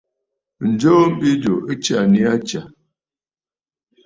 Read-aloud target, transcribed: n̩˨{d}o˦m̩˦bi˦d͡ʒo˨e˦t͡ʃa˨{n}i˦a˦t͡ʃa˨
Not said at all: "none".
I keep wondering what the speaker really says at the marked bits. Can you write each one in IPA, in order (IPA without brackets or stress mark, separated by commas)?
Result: d͡ʒ, n